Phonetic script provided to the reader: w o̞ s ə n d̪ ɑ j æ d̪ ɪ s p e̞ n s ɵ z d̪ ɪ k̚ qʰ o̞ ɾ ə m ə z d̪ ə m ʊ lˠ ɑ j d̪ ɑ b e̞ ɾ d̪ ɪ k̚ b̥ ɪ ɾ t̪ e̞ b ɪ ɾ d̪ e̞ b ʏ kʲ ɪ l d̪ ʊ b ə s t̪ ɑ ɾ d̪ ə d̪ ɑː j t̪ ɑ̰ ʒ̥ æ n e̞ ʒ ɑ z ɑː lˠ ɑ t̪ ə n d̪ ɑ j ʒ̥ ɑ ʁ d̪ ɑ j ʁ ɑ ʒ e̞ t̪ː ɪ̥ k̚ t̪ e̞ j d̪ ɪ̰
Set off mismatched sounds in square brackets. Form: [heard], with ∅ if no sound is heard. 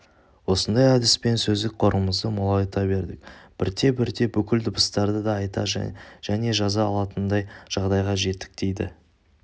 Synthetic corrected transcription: w o̞ s ə n d̪ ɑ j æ d̪ ɪ s p e̞ n s ɵ z d̪ ɪ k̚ qʰ o̞ ɾ ə m ə z d̪ ə m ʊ lˠ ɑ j [t̪] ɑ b e̞ ɾ d̪ ɪ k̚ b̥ ɪ ɾ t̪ e̞ b ɪ ɾ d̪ e̞ b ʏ kʲ ɪ l d̪ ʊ b ə s t̪ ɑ ɾ d̪ ə d̪ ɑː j t̪ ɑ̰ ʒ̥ æ n e̞ ʒ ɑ z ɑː lˠ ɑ t̪ ə n d̪ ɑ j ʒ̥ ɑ ʁ d̪ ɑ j ʁ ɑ ʒ e̞ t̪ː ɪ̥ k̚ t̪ e̞ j d̪ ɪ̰